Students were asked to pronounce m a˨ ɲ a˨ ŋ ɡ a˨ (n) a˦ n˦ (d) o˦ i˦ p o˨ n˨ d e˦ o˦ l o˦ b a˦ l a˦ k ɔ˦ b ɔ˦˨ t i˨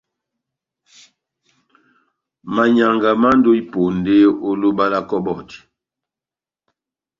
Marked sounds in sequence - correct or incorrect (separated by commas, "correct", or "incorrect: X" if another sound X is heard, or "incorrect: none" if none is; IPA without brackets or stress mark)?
incorrect: m, correct